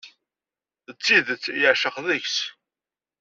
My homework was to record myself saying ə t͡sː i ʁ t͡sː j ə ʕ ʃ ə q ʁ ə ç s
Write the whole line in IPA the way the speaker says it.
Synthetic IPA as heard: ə t͡sː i ð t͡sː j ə ʕ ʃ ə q ð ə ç s